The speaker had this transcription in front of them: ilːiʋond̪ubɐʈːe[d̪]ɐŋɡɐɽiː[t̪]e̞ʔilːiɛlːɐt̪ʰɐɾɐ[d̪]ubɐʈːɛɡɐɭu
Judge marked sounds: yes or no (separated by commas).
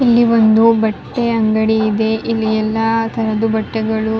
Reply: no, no, yes